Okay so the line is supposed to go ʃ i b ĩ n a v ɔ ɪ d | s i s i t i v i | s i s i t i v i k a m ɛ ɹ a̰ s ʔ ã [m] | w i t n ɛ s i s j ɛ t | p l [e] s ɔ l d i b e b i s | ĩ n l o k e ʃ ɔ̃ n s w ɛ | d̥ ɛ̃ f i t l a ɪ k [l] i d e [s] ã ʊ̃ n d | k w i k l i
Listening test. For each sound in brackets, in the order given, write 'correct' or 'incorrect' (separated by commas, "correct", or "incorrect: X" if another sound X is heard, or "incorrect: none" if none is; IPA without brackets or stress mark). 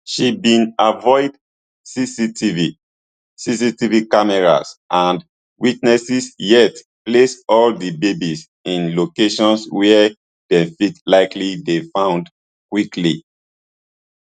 incorrect: n, correct, correct, incorrect: f